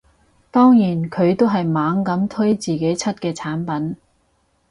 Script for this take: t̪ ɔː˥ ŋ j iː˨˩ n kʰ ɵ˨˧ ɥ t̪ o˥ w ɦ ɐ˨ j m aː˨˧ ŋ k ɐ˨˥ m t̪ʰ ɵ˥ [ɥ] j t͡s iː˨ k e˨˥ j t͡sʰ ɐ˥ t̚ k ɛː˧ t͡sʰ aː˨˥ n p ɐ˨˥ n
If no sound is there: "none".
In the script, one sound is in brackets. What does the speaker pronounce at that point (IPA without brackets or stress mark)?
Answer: none